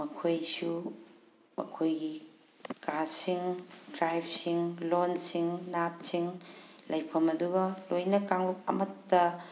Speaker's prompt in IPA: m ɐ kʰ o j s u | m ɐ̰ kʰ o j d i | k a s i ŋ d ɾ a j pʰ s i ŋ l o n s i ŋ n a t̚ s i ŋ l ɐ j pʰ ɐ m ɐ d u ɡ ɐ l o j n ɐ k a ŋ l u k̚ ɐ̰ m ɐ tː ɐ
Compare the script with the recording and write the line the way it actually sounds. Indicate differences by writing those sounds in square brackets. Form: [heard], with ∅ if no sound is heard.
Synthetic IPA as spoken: m ɐ kʰ o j s u | m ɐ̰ kʰ o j [ɡ] i | k a s i ŋ d ɾ a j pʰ s i ŋ l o n s i ŋ n a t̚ s i ŋ l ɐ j pʰ ɐ m ɐ d u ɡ ɐ l o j n ɐ k a ŋ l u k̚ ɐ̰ m ɐ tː ɐ

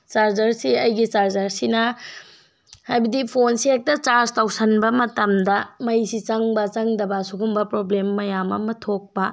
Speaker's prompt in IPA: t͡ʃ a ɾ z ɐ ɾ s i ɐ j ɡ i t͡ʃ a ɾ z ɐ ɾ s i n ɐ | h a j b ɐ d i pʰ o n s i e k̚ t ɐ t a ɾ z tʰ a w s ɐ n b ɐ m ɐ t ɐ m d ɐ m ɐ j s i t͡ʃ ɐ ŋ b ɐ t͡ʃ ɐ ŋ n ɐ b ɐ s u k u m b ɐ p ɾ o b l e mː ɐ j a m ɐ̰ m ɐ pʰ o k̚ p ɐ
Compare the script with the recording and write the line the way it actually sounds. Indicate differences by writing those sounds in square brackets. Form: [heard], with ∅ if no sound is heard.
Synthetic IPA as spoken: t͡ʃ a ɾ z ɐ ɾ s i ɐ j ɡ i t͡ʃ a ɾ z ɐ ɾ s i n ɐ | h a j b ɐ d i pʰ o n s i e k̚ t ɐ [t͡ʃ] a ɾ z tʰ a w s ɐ n b ɐ m ɐ t ɐ m d ɐ m ɐ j s i t͡ʃ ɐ ŋ b ɐ t͡ʃ ɐ ŋ [d] ɐ b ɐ s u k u m b ɐ p ɾ o b l e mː ɐ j a m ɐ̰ m ɐ [tʰ] o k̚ p ɐ

